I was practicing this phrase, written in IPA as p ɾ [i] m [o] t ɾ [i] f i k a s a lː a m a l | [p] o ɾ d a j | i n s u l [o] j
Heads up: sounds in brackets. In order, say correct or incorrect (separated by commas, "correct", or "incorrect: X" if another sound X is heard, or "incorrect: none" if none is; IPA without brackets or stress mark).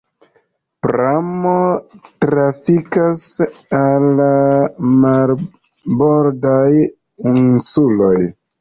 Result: incorrect: a, correct, incorrect: a, incorrect: b, correct